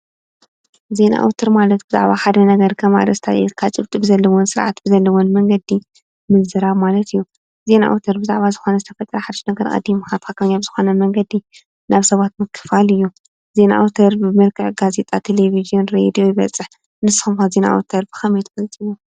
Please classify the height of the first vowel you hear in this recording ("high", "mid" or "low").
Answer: mid